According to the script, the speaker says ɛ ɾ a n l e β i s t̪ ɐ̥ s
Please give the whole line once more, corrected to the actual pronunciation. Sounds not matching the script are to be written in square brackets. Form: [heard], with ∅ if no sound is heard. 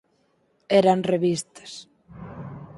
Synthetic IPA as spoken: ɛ ɾ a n [r] e β i s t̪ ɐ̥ s